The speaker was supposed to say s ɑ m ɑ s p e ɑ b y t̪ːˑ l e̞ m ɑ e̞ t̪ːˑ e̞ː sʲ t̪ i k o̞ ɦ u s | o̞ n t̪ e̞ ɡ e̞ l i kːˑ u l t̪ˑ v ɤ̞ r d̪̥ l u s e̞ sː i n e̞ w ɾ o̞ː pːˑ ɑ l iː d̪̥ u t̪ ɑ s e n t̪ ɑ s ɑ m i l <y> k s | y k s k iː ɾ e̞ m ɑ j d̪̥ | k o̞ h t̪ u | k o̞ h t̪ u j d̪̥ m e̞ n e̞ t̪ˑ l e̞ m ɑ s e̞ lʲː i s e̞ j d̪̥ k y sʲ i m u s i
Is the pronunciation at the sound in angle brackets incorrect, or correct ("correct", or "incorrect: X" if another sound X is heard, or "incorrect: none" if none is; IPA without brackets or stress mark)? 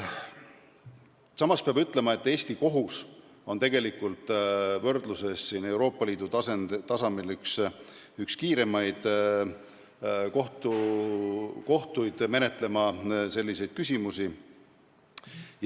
correct